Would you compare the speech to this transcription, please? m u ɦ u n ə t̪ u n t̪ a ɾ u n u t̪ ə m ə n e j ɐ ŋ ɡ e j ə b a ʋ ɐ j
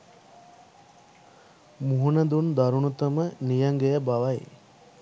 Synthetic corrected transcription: m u ɦ u n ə d̪ u n d̪ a ɾ u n u t̪ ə m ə n i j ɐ ŋ ɡ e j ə b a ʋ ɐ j